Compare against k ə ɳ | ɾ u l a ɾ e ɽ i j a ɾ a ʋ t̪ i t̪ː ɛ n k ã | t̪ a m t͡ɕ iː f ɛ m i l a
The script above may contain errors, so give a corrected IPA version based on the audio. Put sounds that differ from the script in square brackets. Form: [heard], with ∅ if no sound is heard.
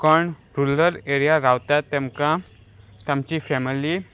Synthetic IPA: k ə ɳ | ɾ u l [ə] ɾ e [ɾ] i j a ɾ a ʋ t̪ [a] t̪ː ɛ [m] k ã | t̪ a m t͡ɕ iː f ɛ m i l [i]